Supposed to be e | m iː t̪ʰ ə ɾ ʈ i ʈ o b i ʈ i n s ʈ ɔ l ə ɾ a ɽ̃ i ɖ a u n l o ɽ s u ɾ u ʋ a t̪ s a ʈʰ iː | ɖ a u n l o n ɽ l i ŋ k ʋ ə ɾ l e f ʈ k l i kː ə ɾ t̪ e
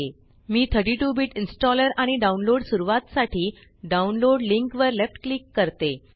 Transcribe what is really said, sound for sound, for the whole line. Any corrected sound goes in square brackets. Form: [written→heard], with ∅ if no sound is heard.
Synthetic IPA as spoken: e | m iː t̪ʰ ə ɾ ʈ i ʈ [o→u] b i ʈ i n s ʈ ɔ l ə ɾ a ɽ̃ i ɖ a u n l o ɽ s u ɾ u ʋ a t̪ s a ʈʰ iː | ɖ a u n l o [n→∅] ɽ l i ŋ k ʋ ə ɾ l e f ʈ k l i kː ə ɾ t̪ e